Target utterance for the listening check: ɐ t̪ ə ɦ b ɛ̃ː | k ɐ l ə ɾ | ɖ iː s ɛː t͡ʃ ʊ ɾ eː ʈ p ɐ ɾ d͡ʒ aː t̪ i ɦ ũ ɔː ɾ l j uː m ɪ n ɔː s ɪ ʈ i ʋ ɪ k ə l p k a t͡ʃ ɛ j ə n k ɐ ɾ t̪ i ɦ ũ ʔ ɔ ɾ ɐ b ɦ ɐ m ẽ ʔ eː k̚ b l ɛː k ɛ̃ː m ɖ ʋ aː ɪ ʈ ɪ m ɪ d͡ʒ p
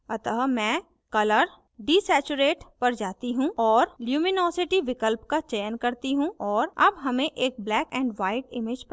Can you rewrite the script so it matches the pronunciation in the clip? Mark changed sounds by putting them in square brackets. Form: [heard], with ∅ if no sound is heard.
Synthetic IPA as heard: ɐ t̪ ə ɦ [m] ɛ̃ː | k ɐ l ə ɾ | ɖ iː s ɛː t͡ʃ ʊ ɾ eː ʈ p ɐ ɾ d͡ʒ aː t̪ i ɦ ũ ɔː ɾ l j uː m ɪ n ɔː s ɪ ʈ i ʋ ɪ k ə l p k a t͡ʃ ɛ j ə n k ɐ ɾ t̪ i ɦ ũ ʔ [ɔː] ɾ ɐ b ɦ ɐ m ẽ ʔ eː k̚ b l ɛː k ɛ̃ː [ɳ] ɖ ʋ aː ɪ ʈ ɪ m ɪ d͡ʒ p